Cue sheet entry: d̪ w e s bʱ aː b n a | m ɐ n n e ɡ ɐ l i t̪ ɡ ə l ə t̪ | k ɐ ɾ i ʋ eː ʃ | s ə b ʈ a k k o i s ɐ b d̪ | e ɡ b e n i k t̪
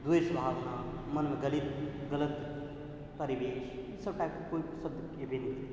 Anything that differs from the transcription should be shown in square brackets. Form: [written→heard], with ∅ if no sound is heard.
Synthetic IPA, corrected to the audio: d̪ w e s bʱ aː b n a | m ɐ n [n→m] e ɡ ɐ l i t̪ ɡ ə l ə t̪ | [k→p] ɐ ɾ i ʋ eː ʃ | s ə b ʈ a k k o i s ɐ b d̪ | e [ɡ→∅] b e n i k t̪